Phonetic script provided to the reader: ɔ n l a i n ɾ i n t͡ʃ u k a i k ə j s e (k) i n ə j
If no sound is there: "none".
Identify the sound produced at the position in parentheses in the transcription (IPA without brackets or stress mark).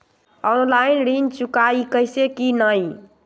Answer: k